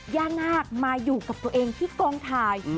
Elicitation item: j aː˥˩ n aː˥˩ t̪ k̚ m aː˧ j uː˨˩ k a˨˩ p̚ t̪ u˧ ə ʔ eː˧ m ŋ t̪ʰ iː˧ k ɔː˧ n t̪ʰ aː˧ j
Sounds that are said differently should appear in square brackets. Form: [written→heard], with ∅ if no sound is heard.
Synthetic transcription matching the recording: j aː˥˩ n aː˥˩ [t̪→∅] k̚ m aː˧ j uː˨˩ k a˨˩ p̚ t̪ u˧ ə ʔ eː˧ [m→∅] ŋ t̪ʰ [iː˧→iː˥˩] k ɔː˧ [n→ŋ] t̪ʰ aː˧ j